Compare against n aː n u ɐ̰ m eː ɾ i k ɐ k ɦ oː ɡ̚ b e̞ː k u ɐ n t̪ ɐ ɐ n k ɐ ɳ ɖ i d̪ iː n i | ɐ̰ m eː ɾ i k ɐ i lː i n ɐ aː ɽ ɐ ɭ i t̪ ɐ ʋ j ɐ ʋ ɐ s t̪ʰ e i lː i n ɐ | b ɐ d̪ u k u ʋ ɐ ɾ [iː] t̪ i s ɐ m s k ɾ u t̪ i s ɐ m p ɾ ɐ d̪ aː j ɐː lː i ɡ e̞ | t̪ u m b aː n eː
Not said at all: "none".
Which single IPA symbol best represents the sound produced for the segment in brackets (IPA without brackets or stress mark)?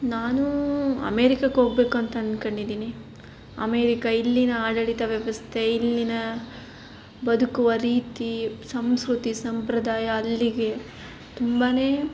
iː